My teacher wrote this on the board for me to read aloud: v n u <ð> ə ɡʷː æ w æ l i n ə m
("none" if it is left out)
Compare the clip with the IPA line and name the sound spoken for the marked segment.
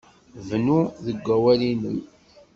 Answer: ð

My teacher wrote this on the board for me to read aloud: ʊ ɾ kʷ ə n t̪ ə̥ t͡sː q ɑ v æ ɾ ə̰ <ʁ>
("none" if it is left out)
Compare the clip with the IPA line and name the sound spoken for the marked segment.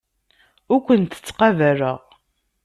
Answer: ʁ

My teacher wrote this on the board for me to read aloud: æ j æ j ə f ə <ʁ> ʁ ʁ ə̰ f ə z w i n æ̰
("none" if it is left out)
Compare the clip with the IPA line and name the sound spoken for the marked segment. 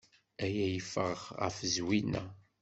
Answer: ʁ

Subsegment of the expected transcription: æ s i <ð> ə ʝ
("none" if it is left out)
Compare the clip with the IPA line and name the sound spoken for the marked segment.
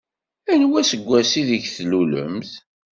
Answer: ð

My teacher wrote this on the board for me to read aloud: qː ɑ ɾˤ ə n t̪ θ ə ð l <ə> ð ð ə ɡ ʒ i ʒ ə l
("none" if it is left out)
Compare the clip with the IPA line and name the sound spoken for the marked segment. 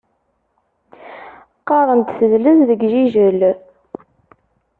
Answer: ə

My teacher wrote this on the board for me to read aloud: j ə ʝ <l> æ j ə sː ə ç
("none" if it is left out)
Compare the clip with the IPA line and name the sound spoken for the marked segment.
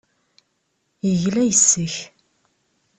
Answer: l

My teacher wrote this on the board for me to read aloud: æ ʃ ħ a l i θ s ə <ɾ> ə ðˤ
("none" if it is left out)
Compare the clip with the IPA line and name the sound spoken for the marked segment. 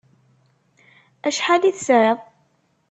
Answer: ɾ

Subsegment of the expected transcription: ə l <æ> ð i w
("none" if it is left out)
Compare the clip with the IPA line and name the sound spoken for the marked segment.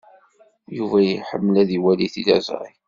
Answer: æ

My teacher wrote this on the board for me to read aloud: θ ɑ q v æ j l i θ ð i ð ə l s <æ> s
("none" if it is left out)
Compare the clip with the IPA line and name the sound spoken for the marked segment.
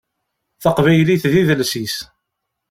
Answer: i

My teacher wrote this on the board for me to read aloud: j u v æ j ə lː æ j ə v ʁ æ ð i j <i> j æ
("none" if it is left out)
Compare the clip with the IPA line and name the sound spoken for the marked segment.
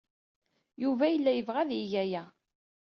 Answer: æ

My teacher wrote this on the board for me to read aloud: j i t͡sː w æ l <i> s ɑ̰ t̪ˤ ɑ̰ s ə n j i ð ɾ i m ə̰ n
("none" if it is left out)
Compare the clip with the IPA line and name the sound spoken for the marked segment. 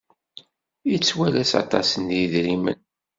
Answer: æ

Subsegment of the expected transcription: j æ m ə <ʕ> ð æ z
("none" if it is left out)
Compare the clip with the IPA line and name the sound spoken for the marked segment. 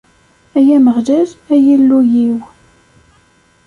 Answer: ʁ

